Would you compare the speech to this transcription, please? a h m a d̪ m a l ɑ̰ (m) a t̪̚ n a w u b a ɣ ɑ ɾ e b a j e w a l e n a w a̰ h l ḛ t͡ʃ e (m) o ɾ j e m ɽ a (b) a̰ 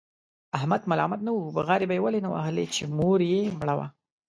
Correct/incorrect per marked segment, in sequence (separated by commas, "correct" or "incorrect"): correct, correct, incorrect